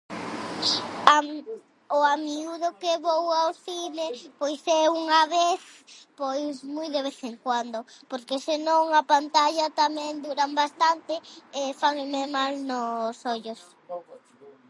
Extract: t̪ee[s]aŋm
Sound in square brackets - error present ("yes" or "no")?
yes